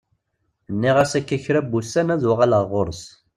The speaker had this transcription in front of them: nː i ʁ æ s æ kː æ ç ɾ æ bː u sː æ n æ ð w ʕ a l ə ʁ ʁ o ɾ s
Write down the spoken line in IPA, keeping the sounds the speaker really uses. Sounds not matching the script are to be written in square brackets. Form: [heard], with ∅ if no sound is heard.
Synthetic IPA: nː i ʁ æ s æ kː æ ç ɾ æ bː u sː æ n æ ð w [ʁ] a l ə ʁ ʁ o ɾ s